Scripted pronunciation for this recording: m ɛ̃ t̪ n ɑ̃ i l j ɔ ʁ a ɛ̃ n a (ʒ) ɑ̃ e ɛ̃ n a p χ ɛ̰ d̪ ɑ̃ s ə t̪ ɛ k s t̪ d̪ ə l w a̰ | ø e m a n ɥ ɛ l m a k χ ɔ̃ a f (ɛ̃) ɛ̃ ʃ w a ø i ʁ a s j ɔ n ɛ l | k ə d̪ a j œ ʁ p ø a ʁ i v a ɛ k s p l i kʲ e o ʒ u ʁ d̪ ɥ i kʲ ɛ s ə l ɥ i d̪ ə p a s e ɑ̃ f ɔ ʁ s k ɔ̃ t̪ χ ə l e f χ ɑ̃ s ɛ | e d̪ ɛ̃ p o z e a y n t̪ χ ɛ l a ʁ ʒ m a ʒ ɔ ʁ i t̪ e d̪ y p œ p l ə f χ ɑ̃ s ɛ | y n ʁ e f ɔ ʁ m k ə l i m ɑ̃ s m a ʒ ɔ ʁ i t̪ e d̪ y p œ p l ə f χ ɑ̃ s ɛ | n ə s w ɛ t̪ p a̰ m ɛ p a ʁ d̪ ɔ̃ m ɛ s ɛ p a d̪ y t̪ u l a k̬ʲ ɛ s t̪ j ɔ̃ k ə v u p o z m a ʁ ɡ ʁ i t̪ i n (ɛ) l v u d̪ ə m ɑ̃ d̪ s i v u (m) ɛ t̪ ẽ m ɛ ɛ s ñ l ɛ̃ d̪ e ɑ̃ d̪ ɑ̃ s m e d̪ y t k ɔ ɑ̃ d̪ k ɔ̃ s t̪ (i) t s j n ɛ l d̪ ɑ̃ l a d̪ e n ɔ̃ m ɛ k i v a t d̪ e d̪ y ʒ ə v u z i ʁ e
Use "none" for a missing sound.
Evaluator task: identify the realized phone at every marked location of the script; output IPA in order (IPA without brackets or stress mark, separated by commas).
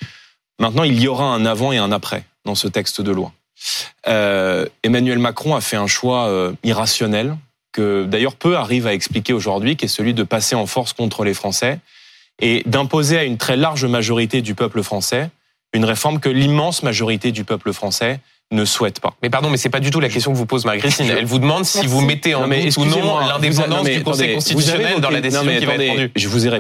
v, ɛ, ɛ, m, i